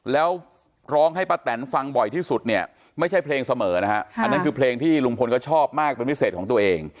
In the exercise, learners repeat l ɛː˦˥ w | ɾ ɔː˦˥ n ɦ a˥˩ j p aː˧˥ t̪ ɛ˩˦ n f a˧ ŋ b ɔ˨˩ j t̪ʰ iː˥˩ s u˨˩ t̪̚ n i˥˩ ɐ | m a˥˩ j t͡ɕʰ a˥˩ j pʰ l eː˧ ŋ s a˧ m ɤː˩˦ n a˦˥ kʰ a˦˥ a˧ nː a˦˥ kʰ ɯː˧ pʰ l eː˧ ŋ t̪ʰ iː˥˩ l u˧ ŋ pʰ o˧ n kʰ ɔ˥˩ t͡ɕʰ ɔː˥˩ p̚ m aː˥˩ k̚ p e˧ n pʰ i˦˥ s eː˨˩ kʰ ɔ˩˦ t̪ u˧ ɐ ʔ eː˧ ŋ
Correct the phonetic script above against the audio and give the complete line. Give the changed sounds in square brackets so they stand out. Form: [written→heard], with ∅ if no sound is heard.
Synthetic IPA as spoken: l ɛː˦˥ w | ɾ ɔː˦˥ [n→ŋ] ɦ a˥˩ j p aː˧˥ t̪ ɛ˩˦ n f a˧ ŋ b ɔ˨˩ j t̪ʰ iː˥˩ s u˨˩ t̪̚ n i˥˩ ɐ | m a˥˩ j t͡ɕʰ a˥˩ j pʰ l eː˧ ŋ s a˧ m ɤː˩˦ n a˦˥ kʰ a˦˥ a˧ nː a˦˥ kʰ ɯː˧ pʰ l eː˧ ŋ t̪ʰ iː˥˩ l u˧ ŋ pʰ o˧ n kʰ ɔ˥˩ t͡ɕʰ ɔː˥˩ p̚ m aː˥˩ k̚ p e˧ n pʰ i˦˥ s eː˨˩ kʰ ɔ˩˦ t̪ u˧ ɐ ʔ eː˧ ŋ